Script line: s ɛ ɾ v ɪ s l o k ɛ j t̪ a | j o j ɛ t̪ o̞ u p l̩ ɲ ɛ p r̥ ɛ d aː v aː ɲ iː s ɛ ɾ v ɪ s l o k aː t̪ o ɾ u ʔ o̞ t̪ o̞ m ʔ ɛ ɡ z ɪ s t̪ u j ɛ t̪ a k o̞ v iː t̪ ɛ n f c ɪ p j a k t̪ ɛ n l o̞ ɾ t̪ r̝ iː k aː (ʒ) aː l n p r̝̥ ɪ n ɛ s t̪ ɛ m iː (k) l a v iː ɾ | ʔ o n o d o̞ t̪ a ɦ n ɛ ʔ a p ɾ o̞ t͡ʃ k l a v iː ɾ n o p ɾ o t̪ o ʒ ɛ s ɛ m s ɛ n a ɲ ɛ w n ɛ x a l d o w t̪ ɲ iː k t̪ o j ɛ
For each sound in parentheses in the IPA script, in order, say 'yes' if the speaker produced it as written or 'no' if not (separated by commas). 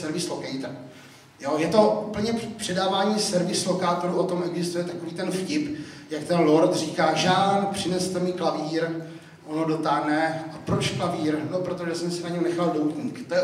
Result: yes, yes